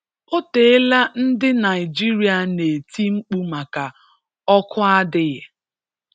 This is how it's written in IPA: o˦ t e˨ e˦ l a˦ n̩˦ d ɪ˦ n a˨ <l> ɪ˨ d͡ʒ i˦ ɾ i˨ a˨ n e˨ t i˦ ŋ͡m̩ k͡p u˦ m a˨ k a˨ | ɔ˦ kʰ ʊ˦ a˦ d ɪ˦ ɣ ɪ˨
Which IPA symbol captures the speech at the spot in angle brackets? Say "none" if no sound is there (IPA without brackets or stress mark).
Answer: none